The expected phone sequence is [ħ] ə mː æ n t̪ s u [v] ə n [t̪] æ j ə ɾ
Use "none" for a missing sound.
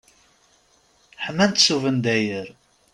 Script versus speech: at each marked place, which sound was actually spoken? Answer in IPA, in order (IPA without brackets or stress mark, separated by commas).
ħ, v, d̪